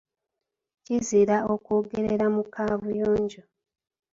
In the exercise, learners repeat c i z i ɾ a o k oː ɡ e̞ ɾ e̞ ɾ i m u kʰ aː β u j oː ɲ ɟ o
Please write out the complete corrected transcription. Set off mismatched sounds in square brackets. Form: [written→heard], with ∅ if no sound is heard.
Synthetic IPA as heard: c i z i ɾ a o k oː ɡ e̞ ɾ e̞ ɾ [i→a] m u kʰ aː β u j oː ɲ ɟ o